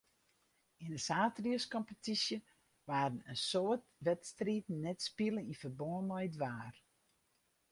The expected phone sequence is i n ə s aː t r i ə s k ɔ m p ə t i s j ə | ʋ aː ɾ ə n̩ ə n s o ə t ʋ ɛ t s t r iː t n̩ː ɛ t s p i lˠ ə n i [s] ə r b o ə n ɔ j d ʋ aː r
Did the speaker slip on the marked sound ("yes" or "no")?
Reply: yes